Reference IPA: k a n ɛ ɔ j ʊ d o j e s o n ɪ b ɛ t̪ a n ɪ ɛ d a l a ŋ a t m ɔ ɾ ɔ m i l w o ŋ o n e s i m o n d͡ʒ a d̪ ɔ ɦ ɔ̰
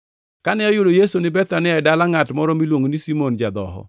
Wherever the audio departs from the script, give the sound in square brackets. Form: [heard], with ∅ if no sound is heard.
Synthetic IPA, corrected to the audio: k a n ɛ ɔ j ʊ d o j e s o n ɪ b ɛ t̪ a n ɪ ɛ d a l a ŋ a t m ɔ ɾ ɔ m i l w o ŋ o n [i] s i m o n d͡ʒ a d̪ ɔ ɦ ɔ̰